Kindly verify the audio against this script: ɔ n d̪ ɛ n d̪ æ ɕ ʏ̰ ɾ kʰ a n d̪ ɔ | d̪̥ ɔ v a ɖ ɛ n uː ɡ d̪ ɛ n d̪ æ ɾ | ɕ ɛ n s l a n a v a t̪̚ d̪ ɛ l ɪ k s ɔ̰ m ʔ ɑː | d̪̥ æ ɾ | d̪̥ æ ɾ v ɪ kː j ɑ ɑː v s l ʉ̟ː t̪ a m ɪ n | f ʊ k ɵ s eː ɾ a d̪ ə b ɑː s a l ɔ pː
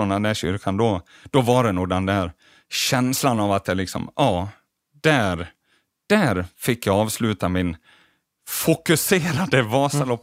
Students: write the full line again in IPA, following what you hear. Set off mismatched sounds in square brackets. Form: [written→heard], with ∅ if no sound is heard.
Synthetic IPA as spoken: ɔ n d̪ ɛ n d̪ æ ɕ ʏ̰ ɾ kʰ a n d̪ ɔ | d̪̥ ɔ v a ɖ ɛ n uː ɡ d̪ ɛ n d̪ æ ɾ | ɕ ɛ n s l a n a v a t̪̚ d̪ ɛ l ɪ k s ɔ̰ m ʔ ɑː | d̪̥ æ ɾ | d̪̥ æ ɾ [v→f] ɪ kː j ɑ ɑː v s l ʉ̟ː t̪ a m ɪ n | f ʊ k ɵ s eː ɾ a d̪ ə [b→v] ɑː s a l ɔ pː